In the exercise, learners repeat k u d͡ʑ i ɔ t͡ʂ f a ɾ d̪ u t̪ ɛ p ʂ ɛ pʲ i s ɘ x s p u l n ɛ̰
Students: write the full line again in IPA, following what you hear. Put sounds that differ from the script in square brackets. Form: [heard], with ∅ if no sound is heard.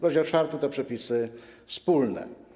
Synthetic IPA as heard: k [ɔ] d͡ʑ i ɔ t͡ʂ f a ɾ [t̪] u t̪ ɛ p ʂ ɛ pʲ i s ɘ [f] s p u l n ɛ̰